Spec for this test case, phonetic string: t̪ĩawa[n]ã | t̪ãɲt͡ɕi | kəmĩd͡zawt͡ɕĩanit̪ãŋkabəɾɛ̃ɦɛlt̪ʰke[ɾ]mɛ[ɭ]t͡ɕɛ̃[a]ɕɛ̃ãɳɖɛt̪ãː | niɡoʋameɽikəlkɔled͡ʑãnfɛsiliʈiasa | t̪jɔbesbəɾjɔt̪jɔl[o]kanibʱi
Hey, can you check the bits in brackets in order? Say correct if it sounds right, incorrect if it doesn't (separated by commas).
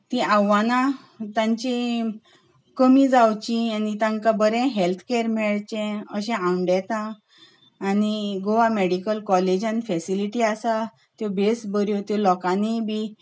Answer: correct, correct, correct, incorrect, incorrect